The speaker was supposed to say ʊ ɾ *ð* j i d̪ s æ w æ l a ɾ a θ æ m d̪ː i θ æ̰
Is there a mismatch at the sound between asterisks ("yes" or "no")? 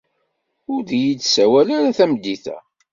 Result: no